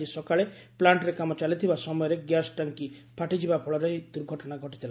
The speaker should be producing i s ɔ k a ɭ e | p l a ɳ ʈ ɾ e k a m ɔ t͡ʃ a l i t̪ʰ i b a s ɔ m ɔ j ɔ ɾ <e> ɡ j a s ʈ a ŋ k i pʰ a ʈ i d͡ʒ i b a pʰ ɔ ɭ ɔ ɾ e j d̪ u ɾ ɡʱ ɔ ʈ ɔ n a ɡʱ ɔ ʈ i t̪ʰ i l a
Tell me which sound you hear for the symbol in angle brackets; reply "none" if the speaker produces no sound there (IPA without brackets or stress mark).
e